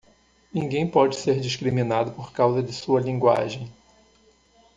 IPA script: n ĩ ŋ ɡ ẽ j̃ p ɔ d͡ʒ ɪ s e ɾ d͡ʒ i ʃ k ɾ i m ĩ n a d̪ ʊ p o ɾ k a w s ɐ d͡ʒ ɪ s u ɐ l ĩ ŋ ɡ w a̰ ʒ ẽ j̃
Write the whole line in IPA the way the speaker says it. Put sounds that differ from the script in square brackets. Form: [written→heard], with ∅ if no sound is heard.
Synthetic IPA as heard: n ĩ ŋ ɡ ẽ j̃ p ɔ d͡ʒ ɪ s e ɾ d͡ʒ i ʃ k ɾ i m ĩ n a d̪ ʊ p o ɾ k a w [s→z] ɐ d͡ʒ ɪ s u ɐ l ĩ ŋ ɡ w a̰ ʒ ẽ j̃